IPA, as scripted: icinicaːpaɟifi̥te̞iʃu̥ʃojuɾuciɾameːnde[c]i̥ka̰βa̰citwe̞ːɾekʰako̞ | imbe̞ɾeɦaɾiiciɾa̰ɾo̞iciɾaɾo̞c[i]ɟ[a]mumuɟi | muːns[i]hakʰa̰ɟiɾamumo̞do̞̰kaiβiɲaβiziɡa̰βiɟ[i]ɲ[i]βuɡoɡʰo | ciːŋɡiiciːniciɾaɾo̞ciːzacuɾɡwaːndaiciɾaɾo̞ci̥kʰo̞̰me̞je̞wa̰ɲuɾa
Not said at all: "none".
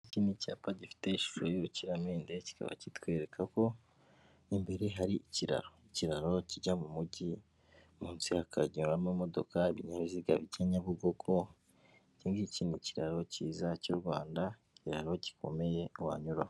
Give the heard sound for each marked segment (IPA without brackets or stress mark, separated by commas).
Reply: c, i, a, i, a, a